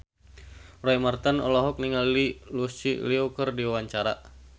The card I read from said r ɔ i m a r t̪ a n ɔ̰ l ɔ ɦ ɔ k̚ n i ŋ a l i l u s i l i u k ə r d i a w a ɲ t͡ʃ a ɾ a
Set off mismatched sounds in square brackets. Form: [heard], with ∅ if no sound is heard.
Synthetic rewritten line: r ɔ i m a r t̪ a n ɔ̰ l ɔ ɦ ɔ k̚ n i ŋ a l i l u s i l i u k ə r d i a w a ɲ t͡ʃ a ɾ a